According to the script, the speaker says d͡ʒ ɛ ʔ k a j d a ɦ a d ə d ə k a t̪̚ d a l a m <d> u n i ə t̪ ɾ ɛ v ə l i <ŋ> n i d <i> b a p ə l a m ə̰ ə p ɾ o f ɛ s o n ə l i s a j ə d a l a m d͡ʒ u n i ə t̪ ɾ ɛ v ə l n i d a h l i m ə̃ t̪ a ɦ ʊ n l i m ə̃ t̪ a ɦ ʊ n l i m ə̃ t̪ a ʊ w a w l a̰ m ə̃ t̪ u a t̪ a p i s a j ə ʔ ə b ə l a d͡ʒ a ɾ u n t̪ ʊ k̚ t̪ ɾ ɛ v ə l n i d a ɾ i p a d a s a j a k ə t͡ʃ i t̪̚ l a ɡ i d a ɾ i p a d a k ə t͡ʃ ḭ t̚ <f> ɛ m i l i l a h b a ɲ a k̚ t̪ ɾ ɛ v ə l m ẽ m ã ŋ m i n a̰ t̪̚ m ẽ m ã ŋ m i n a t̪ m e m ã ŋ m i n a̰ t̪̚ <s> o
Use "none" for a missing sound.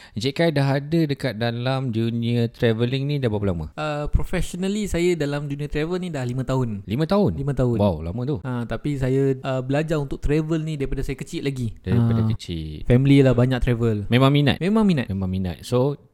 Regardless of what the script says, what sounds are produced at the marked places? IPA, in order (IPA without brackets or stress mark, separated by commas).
d͡ʒ, ŋ, a, f, s